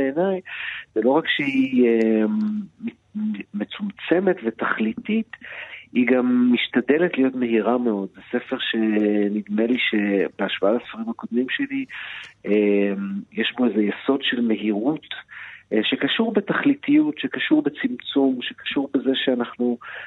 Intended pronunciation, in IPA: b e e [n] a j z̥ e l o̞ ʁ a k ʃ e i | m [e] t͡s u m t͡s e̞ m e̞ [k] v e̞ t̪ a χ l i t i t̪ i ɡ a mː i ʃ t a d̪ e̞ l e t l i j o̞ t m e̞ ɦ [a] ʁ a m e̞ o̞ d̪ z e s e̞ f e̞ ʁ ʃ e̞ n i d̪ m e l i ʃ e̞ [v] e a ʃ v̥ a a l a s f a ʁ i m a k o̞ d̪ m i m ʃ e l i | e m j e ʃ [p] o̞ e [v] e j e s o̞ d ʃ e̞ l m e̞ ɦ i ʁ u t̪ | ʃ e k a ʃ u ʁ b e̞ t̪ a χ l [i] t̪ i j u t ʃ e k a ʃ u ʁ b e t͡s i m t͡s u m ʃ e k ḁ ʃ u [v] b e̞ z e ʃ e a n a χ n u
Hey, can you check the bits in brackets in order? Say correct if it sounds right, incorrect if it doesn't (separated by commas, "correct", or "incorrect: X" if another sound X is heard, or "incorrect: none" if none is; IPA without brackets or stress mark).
correct, correct, incorrect: t, incorrect: i, incorrect: b, incorrect: b, incorrect: z, correct, incorrect: ʁ